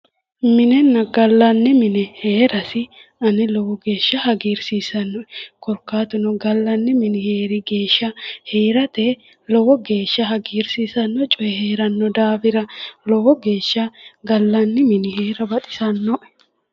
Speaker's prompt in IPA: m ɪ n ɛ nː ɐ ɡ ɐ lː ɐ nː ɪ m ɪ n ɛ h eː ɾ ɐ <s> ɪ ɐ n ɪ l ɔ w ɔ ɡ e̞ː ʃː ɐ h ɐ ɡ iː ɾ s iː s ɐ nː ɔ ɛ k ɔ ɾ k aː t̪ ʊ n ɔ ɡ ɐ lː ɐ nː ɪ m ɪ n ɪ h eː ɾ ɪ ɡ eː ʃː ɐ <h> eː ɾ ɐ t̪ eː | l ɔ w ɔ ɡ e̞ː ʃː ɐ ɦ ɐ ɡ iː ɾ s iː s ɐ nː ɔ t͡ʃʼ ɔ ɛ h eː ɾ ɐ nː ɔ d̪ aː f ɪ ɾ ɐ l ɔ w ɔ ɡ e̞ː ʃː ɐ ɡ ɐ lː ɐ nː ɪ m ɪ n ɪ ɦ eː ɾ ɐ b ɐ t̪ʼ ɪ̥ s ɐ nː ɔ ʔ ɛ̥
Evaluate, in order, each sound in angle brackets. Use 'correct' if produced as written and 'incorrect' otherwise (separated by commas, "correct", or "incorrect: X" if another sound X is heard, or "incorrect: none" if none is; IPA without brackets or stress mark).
correct, correct